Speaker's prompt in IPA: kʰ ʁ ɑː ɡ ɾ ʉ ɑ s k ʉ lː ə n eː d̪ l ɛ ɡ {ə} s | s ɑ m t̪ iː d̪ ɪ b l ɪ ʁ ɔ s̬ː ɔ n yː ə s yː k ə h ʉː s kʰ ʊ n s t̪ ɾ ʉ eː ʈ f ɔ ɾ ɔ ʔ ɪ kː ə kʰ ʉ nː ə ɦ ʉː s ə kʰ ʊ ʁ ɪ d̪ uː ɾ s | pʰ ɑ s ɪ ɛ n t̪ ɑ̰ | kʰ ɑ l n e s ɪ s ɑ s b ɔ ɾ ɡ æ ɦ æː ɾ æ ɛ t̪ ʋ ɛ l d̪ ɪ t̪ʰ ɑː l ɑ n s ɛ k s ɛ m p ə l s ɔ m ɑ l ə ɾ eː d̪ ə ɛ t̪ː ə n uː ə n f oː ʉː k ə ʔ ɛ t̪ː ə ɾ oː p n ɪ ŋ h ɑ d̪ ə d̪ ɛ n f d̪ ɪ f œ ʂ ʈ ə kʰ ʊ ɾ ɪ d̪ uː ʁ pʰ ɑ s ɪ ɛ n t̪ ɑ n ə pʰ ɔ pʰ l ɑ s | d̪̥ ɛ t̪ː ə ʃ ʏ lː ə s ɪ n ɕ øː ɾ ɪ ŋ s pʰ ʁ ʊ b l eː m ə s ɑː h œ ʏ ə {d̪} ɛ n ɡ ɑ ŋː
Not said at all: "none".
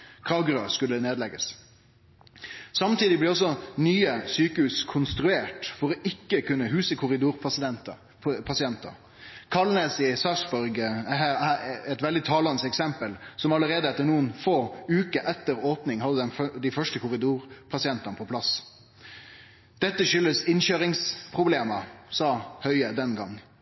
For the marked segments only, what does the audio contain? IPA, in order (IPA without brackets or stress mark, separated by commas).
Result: ə, d̪